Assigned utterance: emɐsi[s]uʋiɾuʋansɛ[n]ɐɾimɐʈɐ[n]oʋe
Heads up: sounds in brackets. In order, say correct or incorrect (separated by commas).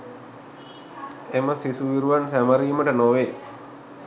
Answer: correct, incorrect, correct